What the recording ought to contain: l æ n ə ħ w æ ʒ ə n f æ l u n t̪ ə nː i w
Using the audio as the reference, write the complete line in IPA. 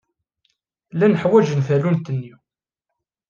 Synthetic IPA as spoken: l æ n ə ħ w æ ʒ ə n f æ l u n t̪ ə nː i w